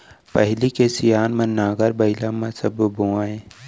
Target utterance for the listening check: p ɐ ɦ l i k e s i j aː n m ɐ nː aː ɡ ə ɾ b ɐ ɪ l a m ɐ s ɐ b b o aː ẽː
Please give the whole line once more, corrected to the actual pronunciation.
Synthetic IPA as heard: p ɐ ɦ l i k e s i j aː n m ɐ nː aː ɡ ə ɾ b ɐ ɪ l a m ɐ s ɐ b b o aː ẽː